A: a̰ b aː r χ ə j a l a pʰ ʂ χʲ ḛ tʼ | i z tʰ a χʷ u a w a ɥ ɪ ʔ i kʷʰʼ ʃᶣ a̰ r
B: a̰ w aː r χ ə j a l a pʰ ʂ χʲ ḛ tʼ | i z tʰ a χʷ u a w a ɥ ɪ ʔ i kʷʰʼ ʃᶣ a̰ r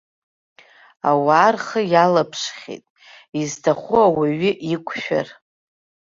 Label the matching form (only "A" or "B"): B